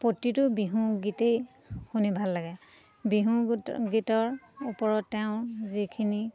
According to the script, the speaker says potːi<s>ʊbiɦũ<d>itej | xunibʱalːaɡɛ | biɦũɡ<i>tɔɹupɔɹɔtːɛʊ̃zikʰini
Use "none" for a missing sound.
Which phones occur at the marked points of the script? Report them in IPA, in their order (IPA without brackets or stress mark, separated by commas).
t, ɡ, i